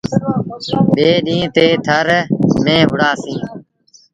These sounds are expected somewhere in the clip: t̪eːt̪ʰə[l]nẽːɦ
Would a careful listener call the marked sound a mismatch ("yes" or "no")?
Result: yes